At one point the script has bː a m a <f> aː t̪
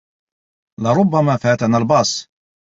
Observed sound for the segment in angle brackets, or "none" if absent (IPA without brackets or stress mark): f